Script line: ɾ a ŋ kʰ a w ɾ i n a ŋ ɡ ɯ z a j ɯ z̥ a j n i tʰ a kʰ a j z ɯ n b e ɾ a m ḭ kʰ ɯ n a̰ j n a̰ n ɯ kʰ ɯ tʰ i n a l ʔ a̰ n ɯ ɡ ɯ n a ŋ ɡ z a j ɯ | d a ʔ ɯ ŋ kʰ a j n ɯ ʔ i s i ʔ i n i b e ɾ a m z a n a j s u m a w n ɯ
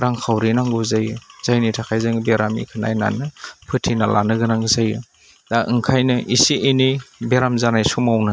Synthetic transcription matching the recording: ɾ a ŋ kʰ a w ɾ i n a ŋ ɡ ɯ z a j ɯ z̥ a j n i tʰ a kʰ a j z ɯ ŋ b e ɾ a m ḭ kʰ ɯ n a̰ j n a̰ n ɯ pʰ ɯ tʰ i n a l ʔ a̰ n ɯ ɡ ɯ n a ŋ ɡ z a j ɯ | d a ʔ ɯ ŋ kʰ a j n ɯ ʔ i s i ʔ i n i b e ɾ a m z a n a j s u m a w n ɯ